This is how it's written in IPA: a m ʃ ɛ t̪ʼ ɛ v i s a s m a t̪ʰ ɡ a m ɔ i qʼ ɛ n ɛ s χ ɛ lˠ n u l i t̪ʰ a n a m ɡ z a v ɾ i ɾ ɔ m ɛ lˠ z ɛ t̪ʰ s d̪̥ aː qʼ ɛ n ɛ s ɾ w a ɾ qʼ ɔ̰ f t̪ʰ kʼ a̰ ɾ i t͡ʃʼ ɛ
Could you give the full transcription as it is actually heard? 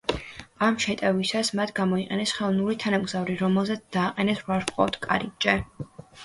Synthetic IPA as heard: a m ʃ ɛ t̪ʼ ɛ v i s a s m a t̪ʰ ɡ a m ɔ i qʼ ɛ n ɛ s χ ɛ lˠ n u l i t̪ʰ a n a m ɡ z a v ɾ i ɾ ɔ m ɛ lˠ z ɛ t̪ s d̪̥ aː qʼ ɛ n ɛ s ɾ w a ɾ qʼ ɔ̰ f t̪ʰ kʼ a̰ ɾ i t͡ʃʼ ɛ